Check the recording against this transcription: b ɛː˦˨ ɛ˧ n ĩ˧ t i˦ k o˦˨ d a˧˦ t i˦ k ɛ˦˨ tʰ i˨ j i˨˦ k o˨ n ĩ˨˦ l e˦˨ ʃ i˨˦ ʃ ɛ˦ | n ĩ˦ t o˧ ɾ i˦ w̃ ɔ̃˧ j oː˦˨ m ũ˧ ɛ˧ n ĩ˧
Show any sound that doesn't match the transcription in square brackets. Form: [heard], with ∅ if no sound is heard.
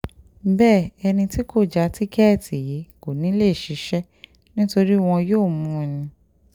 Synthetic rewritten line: b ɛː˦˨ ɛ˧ n ĩ˧ t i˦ k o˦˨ [d͡ʒ] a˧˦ t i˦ k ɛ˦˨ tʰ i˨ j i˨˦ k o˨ n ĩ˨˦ l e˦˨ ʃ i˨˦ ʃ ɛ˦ | n ĩ˦ t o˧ ɾ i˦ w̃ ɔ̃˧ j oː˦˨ m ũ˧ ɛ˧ n ĩ˧